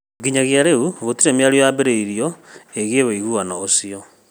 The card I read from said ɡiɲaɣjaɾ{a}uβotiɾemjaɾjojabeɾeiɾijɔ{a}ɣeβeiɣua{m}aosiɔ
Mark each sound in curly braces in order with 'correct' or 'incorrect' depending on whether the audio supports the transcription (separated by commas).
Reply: incorrect, incorrect, incorrect